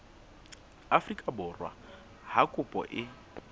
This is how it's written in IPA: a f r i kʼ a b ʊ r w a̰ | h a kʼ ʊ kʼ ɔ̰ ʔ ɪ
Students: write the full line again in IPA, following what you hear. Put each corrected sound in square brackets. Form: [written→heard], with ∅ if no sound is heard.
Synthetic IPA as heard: a f r i kʼ a b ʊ r w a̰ | h a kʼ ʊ [kʼ→pʼ] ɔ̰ ʔ ɪ